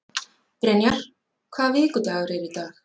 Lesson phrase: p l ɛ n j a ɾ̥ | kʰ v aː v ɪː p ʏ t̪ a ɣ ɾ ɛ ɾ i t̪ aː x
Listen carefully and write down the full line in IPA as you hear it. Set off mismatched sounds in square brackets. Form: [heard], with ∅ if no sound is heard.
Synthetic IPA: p [ɾ] ɛ n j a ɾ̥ | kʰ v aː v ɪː [k] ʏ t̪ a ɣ ɾ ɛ ɾ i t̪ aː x